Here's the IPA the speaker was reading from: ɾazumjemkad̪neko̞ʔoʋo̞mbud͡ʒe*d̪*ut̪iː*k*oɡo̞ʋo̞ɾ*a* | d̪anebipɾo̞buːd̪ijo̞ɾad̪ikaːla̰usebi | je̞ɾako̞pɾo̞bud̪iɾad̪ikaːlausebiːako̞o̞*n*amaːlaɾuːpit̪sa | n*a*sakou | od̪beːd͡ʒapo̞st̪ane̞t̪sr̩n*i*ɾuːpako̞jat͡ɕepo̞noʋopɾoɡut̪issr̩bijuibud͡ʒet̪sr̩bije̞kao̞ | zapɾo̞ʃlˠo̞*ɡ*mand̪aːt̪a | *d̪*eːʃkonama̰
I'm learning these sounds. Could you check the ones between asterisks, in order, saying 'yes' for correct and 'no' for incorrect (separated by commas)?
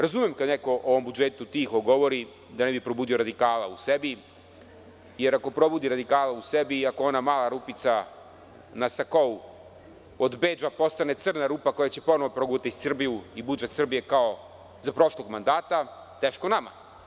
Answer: no, no, no, yes, yes, no, yes, no